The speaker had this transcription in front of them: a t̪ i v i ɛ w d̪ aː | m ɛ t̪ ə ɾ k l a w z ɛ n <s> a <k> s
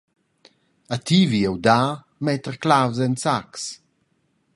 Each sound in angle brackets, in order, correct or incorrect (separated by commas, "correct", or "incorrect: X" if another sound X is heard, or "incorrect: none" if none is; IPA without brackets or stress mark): correct, correct